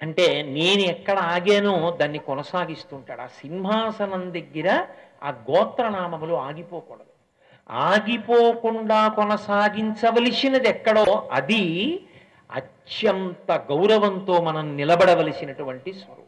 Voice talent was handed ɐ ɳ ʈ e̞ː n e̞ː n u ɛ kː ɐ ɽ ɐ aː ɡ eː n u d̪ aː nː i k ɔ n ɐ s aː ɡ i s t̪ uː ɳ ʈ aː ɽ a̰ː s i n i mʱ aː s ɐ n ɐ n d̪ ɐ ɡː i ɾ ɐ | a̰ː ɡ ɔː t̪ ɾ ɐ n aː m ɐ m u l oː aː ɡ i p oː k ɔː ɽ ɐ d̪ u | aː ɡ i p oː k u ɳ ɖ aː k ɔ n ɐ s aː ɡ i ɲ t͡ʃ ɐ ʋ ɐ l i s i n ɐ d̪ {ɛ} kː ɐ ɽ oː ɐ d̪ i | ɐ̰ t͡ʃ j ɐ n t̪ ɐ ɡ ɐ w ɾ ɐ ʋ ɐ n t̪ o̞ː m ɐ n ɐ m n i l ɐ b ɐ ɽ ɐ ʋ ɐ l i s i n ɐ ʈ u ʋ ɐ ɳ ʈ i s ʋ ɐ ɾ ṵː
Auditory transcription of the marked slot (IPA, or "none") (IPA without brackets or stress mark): ɛ